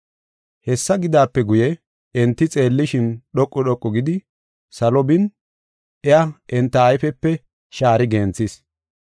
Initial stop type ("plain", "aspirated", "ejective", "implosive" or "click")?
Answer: plain